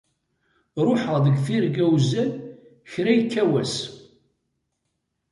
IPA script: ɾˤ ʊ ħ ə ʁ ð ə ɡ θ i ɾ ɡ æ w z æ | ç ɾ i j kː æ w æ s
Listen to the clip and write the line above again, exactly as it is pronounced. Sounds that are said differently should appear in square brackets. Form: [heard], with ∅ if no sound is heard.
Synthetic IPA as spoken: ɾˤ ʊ ħ ə ʁ ð ə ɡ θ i ɾ ɡ æ w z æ | ç ɾ [æ] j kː æ w æ s